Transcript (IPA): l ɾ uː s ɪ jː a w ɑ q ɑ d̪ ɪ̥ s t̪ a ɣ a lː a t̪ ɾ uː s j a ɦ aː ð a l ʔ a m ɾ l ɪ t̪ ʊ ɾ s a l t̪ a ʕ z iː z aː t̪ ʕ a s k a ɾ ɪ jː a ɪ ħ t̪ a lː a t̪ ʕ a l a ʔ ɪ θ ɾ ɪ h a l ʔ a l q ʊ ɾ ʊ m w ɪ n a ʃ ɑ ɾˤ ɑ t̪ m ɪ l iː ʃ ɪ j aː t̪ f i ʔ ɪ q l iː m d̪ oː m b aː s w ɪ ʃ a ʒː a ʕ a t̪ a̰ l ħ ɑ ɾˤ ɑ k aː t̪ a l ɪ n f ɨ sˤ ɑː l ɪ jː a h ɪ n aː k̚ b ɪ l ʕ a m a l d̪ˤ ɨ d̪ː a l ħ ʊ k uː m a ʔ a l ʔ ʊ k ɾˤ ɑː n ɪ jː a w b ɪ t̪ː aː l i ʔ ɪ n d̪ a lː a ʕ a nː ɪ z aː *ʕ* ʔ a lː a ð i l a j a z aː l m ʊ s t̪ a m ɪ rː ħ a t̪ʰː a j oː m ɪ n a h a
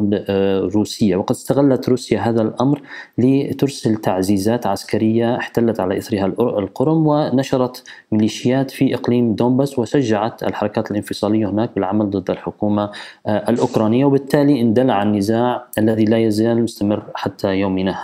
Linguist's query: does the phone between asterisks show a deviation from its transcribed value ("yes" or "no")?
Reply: no